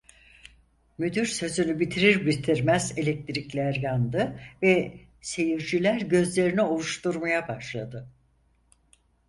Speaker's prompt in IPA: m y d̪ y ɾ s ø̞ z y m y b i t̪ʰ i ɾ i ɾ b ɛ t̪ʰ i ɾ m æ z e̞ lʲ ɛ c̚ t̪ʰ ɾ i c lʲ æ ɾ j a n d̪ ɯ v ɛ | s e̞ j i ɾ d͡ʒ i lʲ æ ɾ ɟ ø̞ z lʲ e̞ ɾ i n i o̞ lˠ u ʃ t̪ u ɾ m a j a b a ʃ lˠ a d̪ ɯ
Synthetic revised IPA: m y d̪ y ɾ s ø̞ z y n y b i t̪ʰ i ɾ i ɾ b i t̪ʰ i ɾ m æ z e̞ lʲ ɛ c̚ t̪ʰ ɾ i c lʲ æ ɾ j a n d̪ ɯ v ɛ | s e̞ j i ɾ d͡ʒ i lʲ æ ɾ ɟ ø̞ z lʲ e̞ ɾ i n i o̞ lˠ u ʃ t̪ u ɾ m a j a b a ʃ lˠ a d̪ ɯ